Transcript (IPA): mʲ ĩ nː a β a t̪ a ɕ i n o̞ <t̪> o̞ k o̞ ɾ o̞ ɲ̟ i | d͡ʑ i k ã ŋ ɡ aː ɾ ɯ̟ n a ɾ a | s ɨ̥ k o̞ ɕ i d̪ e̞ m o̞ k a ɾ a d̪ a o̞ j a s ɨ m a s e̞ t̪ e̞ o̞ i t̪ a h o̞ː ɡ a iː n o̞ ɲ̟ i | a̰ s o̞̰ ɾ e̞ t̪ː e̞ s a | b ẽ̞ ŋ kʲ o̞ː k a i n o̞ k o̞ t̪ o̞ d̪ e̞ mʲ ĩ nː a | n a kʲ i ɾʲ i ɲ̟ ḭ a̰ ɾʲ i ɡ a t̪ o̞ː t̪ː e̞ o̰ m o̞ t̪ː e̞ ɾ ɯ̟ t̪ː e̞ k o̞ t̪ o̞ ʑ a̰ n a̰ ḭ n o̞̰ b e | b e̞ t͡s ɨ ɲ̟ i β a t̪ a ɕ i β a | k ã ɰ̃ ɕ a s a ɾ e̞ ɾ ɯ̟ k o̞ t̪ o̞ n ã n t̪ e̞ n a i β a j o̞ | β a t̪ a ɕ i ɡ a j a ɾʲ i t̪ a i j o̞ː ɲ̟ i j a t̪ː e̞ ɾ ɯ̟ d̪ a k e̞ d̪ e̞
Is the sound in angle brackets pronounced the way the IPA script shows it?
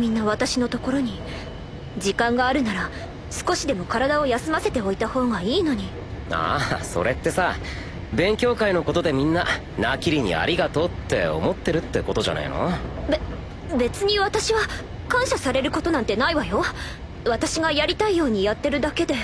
yes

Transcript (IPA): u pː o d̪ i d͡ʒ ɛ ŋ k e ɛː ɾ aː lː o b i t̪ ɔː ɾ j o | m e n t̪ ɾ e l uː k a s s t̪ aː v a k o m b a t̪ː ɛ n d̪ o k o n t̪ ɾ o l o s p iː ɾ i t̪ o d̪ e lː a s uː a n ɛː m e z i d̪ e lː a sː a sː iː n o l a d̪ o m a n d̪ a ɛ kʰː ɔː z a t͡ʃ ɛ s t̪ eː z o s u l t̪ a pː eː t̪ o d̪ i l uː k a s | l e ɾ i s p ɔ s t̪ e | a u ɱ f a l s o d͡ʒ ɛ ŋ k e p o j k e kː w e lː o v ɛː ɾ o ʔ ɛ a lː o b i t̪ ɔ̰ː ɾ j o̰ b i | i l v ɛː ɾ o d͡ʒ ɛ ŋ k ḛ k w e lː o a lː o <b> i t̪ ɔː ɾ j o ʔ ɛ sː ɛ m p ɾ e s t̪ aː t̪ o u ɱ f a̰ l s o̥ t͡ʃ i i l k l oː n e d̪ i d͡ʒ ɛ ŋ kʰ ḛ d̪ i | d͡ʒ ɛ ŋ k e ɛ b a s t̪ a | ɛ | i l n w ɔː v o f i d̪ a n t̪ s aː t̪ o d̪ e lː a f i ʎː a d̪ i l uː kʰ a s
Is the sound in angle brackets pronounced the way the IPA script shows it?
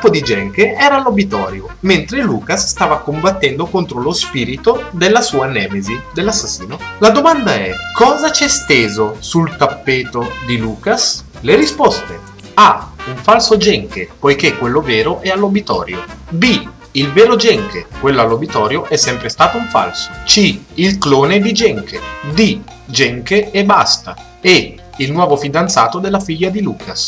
yes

